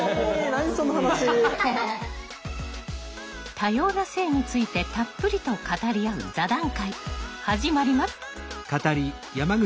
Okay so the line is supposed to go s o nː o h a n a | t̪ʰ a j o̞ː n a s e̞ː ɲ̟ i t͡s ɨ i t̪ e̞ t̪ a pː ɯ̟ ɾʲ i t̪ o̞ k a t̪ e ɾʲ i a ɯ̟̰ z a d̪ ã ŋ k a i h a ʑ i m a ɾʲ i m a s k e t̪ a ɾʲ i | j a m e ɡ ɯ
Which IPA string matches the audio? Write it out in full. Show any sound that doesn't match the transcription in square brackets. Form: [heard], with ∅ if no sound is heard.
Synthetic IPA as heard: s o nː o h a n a | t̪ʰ a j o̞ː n a s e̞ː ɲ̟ i t͡s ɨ i t̪ e̞ t̪ a pː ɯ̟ ɾʲ i t̪ o̞ k a t̪ [a] ɾʲ i a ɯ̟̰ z a d̪ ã ŋ k a i h a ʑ i m a ɾʲ i m a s k [a] t̪ a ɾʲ i | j a m [a] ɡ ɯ